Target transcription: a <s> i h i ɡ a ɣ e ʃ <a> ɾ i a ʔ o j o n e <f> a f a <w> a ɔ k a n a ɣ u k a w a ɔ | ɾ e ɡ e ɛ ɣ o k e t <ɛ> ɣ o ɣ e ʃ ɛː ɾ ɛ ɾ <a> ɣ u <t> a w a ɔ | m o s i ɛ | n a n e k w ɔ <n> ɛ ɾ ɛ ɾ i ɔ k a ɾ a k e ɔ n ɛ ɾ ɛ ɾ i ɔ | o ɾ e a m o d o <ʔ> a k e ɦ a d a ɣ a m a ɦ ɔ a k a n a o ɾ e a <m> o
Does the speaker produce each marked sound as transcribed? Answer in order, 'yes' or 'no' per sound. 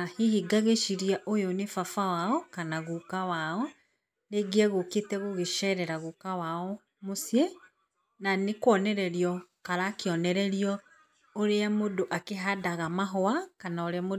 no, no, yes, yes, yes, yes, no, yes, yes, yes

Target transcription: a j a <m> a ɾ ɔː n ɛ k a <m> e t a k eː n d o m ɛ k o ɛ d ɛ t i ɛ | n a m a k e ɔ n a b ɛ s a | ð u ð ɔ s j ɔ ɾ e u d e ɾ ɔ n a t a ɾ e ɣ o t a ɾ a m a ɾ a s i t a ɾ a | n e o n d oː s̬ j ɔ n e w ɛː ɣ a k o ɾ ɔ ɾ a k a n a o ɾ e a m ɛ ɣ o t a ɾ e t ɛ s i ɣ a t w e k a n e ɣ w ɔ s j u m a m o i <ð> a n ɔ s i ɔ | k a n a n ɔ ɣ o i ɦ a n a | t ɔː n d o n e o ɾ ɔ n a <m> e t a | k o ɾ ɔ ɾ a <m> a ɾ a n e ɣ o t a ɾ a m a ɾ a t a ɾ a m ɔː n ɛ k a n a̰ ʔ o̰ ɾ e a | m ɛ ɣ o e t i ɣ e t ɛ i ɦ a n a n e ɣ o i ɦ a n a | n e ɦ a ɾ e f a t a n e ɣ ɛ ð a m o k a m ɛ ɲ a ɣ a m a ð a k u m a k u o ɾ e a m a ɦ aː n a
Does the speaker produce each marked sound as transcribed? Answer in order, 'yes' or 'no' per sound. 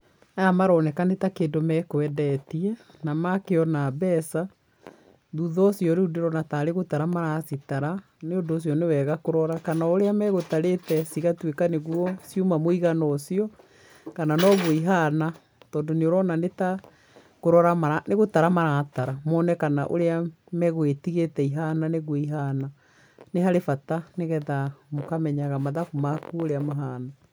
yes, no, no, no, yes

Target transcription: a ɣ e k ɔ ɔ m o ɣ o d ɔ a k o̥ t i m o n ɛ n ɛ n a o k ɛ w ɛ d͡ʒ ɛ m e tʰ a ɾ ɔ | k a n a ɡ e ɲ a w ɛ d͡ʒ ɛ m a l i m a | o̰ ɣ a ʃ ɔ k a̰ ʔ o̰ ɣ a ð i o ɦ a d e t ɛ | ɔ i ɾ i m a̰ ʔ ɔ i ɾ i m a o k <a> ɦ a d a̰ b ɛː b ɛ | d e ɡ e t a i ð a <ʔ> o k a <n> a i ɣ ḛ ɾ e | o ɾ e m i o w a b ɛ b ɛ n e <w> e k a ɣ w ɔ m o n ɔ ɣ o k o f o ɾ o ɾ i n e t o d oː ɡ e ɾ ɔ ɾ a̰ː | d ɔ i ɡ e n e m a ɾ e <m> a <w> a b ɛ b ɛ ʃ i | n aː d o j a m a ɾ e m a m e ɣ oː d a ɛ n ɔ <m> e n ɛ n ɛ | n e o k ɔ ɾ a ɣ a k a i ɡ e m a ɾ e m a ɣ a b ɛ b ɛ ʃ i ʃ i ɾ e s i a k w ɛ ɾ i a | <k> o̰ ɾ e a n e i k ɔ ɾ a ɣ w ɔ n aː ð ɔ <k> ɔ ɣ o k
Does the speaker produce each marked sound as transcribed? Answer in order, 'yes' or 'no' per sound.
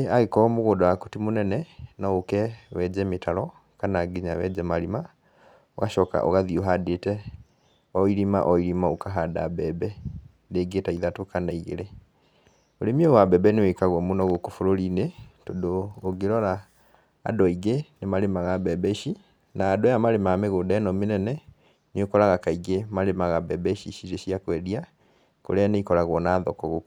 yes, no, yes, yes, yes, no, yes, yes, yes

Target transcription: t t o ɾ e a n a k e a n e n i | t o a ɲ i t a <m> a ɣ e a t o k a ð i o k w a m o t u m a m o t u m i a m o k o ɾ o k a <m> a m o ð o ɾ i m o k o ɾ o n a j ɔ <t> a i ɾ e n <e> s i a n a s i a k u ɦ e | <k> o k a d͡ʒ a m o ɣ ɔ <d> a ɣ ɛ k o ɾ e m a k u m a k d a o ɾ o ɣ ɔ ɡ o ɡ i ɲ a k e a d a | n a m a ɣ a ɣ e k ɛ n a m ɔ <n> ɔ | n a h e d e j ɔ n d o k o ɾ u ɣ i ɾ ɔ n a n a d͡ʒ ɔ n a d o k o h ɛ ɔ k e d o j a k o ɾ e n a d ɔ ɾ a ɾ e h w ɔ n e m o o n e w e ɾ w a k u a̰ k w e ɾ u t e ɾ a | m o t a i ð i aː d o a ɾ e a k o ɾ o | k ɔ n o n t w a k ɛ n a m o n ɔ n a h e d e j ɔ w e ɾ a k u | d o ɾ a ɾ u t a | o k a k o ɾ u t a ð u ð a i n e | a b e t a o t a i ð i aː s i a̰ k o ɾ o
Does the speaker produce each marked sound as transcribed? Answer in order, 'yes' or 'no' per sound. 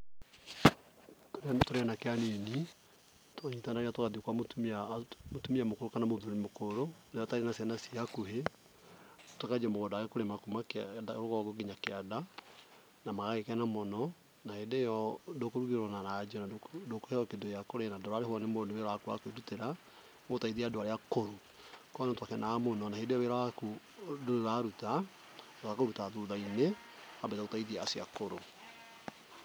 no, no, yes, no, no, yes, yes

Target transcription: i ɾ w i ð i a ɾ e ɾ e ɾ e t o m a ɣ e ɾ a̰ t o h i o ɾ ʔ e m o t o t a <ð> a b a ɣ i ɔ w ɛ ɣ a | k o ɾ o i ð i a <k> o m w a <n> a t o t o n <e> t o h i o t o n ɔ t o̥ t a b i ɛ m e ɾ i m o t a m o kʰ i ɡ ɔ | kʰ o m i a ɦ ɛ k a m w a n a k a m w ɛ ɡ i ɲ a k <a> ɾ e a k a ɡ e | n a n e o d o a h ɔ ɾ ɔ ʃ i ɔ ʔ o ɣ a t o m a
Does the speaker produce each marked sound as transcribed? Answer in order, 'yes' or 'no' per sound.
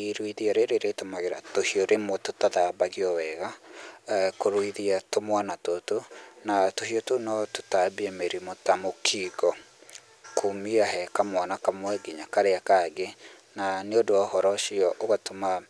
yes, no, yes, no, yes

